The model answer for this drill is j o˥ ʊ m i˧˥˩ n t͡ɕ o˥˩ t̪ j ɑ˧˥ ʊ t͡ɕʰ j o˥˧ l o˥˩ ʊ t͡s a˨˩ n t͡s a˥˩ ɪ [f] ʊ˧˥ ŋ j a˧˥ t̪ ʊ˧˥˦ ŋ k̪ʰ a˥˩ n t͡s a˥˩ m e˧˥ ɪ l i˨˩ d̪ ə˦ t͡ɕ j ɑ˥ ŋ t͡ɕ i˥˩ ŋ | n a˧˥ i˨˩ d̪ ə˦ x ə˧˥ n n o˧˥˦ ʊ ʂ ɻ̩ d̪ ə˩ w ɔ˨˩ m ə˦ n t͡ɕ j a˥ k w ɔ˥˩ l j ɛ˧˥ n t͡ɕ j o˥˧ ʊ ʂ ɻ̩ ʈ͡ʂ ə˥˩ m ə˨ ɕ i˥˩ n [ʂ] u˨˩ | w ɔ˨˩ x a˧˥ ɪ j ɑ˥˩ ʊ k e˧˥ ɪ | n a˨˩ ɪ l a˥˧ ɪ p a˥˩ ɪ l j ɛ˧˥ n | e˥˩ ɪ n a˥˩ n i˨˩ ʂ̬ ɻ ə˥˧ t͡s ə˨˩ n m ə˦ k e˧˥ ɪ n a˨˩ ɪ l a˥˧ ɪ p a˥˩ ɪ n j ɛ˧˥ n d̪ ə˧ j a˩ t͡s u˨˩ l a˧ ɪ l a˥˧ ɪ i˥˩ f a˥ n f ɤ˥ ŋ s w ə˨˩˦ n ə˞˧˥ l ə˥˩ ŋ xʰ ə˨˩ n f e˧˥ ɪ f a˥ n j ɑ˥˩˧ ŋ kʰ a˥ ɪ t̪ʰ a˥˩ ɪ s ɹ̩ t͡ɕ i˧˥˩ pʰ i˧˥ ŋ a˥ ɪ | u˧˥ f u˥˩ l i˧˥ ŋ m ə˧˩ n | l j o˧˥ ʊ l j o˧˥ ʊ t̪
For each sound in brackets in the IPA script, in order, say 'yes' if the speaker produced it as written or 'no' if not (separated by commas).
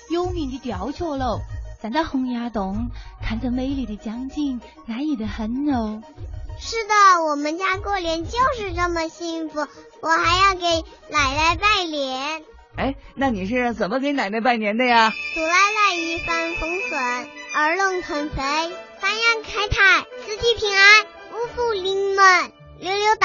no, no